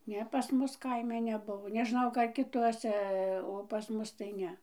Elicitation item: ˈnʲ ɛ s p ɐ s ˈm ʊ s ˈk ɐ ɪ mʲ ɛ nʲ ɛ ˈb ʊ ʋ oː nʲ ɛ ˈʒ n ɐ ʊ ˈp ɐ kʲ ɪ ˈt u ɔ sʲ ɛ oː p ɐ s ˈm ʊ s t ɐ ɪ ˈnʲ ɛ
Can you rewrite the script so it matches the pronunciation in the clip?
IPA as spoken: ˈnʲ ɛ p ɐ s ˈm ʊ s ˈk ɐ ɪ mʲ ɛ nʲ ɛ ˈb ʊ ʋ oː nʲ ɛ ˈʒ n ɐ ʊ ˈk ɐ kʲ ɪ ˈt u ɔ sʲ ɛ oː p ɐ s ˈm ʊ s t ɐ ɪ ˈnʲ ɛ